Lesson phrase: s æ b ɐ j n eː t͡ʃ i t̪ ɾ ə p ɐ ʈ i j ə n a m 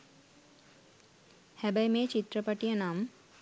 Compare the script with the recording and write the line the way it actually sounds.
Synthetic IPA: h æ b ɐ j m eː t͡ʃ i t̪ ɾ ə p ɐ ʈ i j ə n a m